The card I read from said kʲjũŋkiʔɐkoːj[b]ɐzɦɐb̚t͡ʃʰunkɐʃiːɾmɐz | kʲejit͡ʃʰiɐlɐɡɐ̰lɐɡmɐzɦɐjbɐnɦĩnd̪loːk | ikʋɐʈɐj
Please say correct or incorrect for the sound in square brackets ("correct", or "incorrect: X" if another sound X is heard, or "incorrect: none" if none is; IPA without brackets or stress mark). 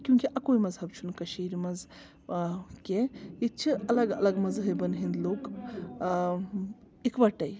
incorrect: m